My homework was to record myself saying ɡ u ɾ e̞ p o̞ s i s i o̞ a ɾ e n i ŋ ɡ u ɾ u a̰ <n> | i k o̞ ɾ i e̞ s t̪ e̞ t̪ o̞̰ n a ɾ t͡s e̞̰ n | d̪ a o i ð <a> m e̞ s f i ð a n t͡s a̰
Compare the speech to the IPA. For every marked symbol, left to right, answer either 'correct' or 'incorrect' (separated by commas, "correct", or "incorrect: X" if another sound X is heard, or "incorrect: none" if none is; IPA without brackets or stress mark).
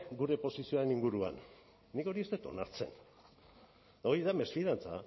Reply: incorrect: nː, correct